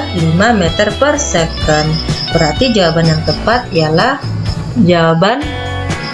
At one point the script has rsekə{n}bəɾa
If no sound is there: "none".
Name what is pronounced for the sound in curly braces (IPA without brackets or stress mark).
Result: n